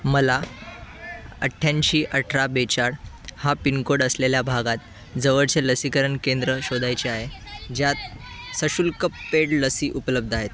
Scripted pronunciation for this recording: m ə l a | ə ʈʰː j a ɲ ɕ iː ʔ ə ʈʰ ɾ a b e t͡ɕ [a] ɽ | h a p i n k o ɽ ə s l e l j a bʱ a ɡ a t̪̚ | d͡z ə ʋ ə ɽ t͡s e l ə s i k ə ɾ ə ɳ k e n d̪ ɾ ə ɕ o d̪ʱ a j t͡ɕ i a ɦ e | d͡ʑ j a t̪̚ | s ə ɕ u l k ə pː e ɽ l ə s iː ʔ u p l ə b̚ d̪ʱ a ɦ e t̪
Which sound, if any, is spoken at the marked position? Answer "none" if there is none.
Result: a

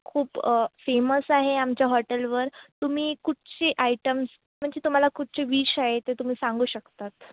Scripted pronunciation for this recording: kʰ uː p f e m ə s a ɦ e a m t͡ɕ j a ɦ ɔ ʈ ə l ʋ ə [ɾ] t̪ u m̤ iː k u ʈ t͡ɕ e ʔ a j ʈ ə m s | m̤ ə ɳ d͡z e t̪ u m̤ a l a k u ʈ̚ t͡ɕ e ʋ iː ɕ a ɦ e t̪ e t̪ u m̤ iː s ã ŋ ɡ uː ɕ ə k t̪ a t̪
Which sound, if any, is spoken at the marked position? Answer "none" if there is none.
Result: ɾ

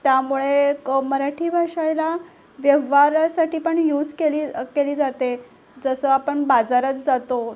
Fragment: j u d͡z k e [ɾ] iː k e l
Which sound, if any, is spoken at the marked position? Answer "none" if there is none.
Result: l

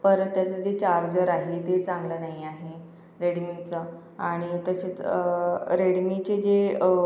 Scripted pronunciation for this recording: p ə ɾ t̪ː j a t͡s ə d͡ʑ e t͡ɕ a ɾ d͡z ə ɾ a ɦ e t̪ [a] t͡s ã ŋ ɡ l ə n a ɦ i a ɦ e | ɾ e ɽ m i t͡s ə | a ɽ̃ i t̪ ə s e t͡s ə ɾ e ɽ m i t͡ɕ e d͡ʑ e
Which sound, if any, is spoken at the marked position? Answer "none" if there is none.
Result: e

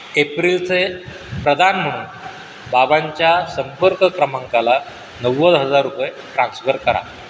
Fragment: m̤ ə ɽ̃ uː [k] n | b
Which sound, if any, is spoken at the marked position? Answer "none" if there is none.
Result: none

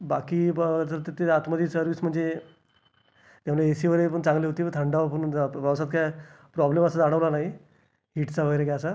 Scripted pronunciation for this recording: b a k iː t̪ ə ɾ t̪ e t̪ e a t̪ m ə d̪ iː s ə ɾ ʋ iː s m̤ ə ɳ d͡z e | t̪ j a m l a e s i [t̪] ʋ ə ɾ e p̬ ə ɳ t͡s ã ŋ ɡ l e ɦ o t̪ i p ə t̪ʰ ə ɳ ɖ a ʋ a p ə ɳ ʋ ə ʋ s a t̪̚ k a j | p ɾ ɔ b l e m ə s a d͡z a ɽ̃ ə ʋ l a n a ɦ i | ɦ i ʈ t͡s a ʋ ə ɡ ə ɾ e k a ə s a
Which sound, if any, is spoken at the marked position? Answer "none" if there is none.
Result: none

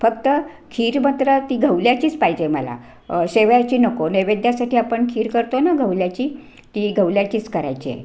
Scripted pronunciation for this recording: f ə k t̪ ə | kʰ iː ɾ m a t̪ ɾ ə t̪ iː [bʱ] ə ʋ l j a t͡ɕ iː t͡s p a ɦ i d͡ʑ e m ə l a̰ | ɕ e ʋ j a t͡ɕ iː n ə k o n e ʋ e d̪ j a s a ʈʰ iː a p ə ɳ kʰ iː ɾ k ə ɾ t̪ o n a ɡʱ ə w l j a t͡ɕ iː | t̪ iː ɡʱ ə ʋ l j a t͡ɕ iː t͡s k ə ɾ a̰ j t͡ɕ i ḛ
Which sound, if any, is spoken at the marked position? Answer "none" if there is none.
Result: ɡʱ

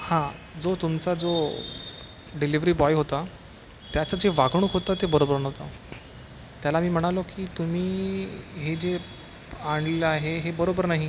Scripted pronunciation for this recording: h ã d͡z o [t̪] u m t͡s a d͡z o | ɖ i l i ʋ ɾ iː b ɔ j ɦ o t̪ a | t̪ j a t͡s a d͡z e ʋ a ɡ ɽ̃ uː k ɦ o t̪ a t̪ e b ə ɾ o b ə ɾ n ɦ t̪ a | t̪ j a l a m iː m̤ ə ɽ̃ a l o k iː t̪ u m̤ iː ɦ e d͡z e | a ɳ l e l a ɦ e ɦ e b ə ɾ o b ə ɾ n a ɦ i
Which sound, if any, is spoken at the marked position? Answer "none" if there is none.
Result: t̪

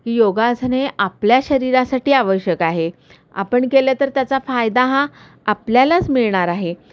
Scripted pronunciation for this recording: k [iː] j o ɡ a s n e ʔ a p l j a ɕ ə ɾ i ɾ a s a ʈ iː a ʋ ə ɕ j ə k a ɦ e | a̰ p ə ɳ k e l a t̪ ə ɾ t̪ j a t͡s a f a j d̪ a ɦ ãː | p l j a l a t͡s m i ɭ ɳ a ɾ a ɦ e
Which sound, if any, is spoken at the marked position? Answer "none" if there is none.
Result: iː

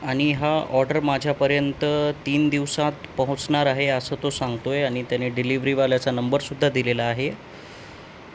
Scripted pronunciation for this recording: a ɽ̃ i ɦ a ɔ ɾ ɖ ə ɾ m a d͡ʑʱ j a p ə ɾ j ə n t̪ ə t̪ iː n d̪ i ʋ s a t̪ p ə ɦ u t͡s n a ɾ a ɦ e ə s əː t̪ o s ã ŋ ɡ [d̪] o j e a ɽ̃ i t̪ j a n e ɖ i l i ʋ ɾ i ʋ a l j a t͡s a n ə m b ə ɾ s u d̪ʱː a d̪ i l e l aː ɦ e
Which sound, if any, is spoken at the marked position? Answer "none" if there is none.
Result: t̪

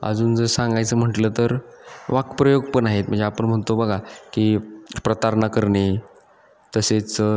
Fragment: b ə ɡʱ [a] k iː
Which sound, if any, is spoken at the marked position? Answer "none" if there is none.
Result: a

